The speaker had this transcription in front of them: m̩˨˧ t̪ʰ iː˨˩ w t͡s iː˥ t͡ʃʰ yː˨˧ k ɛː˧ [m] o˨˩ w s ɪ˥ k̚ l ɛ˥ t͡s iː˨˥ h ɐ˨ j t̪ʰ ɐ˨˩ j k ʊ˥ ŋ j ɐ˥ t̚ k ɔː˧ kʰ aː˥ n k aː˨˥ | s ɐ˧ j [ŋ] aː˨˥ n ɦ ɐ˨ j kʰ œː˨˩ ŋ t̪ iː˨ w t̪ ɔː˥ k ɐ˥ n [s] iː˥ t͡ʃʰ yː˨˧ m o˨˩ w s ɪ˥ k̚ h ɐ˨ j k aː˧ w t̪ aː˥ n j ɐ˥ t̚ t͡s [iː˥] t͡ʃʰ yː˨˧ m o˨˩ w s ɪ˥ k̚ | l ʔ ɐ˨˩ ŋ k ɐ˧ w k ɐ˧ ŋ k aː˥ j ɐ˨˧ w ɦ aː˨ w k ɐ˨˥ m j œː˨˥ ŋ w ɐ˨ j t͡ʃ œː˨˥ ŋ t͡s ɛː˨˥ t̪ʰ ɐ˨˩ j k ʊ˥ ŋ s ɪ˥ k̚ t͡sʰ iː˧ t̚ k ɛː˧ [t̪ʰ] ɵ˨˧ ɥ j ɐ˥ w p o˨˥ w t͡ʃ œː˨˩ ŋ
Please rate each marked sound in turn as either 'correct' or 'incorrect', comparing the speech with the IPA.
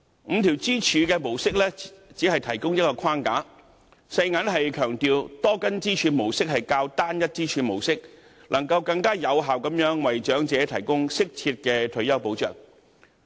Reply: correct, correct, incorrect, correct, correct

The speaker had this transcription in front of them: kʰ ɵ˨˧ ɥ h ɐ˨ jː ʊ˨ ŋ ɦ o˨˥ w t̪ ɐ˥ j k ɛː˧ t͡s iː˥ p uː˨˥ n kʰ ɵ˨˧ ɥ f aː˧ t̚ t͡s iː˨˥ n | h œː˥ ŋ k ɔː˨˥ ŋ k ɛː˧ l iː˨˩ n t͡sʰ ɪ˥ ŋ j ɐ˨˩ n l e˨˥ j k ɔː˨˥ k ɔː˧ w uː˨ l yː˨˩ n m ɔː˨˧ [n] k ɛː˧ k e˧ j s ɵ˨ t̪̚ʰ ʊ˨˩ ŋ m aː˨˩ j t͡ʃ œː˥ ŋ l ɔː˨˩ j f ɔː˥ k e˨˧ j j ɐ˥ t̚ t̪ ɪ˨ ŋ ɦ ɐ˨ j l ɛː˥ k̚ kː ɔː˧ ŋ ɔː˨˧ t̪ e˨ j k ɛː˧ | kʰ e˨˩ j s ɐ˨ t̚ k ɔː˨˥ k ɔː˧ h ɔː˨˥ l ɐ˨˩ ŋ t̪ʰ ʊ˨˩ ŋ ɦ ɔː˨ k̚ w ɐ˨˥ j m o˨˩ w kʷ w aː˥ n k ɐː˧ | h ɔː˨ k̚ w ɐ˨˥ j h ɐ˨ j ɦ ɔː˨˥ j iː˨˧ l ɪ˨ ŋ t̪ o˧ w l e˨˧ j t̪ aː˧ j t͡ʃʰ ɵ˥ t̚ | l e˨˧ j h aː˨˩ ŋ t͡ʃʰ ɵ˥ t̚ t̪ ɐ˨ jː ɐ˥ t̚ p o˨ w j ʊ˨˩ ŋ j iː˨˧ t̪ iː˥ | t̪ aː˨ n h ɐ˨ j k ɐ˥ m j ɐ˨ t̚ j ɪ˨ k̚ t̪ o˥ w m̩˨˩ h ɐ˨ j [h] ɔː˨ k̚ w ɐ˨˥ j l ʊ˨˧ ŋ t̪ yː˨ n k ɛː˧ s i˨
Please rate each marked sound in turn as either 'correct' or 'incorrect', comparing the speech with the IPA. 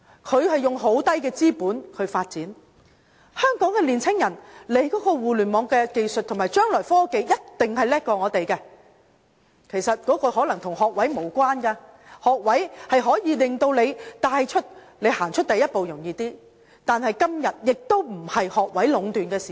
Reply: incorrect, correct

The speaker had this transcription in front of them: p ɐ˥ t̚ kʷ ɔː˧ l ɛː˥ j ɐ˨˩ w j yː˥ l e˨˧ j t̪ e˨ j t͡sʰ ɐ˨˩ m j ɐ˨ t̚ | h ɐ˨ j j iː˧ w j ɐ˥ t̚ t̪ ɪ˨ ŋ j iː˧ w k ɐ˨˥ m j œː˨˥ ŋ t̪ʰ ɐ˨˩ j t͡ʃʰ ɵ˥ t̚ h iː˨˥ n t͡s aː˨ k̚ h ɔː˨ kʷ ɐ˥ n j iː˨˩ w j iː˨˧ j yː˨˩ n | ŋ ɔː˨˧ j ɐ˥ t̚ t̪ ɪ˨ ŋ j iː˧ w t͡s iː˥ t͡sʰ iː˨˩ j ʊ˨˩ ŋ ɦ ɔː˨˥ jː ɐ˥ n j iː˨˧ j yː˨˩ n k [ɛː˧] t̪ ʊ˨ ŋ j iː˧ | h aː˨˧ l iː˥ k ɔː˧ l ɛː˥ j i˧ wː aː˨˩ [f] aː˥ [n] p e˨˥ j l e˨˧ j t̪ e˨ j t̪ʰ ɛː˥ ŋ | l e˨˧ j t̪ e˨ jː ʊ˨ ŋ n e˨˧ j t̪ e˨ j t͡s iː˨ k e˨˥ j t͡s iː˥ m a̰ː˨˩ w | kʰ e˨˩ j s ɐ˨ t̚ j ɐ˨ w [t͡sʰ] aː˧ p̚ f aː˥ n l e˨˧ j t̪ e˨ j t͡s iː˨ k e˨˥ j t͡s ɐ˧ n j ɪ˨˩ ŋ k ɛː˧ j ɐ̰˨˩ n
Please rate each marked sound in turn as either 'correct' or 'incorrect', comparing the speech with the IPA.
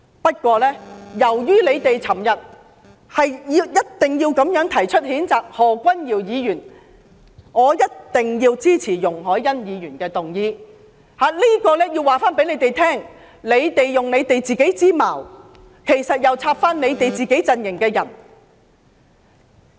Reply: correct, correct, correct, correct

